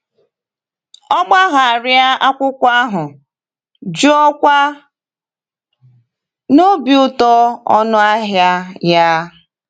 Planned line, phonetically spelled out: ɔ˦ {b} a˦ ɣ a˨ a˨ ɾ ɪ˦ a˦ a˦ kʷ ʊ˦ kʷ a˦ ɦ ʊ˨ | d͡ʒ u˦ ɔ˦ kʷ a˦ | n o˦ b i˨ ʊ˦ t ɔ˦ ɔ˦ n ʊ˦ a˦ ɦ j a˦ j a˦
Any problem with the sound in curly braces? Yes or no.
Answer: yes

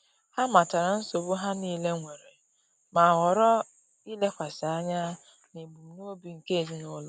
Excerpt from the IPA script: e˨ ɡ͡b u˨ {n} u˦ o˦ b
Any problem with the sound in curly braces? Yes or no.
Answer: no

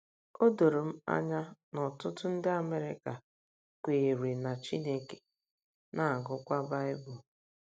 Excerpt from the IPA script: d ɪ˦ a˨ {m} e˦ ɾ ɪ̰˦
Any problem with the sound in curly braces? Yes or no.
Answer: no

